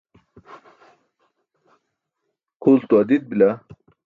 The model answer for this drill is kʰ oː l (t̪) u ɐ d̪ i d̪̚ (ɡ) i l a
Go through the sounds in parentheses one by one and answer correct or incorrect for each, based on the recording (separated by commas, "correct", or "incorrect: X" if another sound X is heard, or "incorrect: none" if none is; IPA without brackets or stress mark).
correct, incorrect: b